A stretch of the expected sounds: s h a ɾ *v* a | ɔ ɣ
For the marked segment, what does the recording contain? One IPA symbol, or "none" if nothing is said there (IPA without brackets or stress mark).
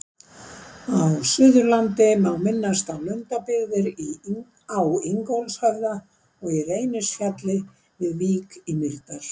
ð